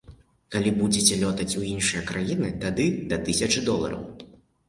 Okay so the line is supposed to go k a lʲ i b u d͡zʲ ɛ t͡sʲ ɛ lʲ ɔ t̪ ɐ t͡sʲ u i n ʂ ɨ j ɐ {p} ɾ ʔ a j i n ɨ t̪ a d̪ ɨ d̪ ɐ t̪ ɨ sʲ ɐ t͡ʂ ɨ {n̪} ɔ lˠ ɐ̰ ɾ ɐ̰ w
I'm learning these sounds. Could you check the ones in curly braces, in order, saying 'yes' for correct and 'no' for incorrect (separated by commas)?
no, no